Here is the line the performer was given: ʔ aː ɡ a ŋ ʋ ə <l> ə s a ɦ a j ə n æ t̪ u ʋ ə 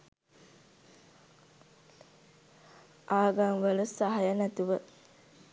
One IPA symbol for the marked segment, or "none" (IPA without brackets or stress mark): l